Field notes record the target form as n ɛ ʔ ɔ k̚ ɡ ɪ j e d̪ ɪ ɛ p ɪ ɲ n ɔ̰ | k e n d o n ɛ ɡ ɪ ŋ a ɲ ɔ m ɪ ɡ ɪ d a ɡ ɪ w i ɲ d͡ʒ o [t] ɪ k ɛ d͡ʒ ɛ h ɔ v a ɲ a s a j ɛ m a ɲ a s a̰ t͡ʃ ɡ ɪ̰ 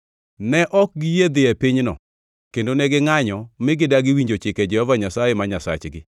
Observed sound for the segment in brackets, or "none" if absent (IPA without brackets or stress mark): t͡ʃ